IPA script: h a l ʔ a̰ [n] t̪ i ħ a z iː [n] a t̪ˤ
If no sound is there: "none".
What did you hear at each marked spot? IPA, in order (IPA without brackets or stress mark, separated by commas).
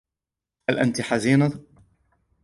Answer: n, n